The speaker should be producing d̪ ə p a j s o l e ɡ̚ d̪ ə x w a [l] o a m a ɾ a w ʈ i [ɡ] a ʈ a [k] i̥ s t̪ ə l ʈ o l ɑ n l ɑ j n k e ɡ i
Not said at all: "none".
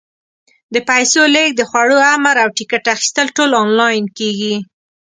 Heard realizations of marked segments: ɽ, k, x

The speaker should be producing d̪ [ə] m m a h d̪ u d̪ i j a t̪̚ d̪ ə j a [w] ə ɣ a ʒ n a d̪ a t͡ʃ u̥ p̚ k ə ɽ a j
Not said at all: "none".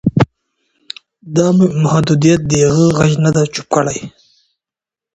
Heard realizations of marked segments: ɑ, ɣ

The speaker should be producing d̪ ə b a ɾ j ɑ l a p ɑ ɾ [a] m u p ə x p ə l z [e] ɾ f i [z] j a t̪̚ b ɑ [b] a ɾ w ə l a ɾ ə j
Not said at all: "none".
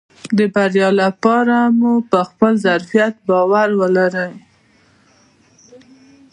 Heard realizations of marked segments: a, a, none, w

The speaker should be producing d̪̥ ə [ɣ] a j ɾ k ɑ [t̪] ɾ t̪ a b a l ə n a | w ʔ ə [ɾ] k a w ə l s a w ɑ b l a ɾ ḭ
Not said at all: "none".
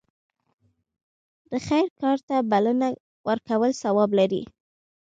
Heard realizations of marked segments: x, none, ɾ

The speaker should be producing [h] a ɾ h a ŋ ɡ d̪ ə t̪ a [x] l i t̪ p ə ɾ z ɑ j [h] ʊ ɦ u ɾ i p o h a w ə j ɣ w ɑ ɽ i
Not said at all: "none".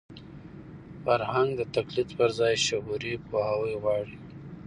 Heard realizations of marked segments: f, k, ʃ

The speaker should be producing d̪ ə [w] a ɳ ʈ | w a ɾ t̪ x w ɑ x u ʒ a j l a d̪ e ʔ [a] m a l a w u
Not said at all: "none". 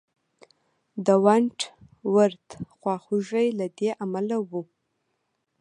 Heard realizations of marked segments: w, a

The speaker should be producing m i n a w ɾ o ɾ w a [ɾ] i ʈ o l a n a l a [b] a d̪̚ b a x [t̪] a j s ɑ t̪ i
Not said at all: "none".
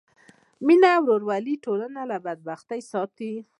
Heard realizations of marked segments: l, b, t̪

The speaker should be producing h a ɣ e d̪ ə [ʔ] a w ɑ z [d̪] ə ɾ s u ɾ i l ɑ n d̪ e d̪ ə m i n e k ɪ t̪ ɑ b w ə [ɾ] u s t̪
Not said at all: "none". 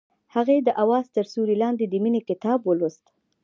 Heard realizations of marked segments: ʔ, t̪, l

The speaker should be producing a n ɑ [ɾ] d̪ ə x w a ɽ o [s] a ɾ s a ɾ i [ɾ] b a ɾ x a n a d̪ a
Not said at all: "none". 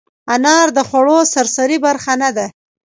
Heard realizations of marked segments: ɾ, s, none

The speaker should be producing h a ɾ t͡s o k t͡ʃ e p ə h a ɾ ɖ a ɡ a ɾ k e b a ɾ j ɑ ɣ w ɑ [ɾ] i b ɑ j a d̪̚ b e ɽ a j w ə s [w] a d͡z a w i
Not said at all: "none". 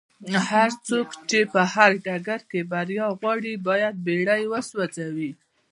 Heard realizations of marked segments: ɽ, w

